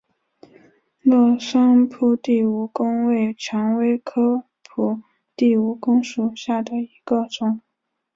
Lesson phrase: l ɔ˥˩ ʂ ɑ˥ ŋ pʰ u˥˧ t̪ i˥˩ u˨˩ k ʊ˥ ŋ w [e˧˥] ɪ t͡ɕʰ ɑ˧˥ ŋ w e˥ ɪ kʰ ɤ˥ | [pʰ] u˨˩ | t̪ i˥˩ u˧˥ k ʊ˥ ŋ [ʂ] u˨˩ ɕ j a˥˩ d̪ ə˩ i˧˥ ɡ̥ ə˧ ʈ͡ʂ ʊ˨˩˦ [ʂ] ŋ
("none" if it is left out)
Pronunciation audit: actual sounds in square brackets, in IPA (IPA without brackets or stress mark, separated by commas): e˥˩, pʰ, ʂ, none